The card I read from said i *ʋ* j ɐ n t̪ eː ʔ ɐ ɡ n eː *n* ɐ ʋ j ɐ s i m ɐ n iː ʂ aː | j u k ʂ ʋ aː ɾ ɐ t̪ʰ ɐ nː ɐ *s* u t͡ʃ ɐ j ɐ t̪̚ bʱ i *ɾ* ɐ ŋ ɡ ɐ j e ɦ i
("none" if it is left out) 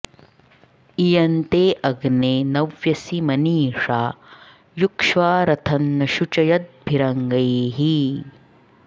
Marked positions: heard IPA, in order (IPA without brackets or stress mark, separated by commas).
none, n, ʃ, ɾ